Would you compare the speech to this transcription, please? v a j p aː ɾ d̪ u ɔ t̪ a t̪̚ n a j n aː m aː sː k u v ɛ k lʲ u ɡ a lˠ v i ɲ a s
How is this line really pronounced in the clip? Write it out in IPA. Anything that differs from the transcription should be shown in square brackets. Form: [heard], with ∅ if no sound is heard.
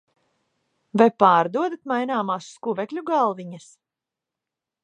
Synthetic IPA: v a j p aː ɾ d̪ u ɔ [d̪] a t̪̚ [m] a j n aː m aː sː k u v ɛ k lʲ u ɡ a lˠ v i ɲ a s